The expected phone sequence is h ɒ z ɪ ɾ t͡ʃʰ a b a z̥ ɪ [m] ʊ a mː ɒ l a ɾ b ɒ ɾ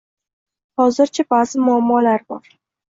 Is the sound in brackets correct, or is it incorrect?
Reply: correct